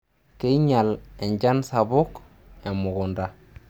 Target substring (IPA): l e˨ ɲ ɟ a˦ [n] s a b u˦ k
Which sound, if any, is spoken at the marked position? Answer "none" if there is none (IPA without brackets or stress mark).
n